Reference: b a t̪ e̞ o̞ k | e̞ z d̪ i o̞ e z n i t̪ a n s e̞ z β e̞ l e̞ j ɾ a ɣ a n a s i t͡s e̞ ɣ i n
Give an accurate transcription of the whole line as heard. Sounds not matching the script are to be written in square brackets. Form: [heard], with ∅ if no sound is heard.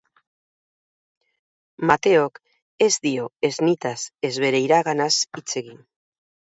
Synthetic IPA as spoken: [m] a t̪ e̞ o̞ k | e̞ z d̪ i o̞ e z n i t̪ a [∅] s e̞ z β e̞ [ɾ] e̞ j ɾ a ɣ a n a s i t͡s e̞ ɣ i n